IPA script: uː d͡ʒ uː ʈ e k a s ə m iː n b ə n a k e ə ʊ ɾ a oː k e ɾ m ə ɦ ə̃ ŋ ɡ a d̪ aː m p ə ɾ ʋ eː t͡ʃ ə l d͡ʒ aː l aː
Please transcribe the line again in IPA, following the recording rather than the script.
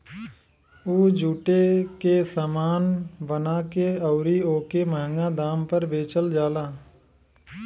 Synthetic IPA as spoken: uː d͡ʒ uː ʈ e k e s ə m aː n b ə n a k e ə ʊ ɾ i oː k e m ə ɦ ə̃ ŋ ɡ a d̪ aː m p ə ɾ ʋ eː t͡ʃ ə l d͡ʒ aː l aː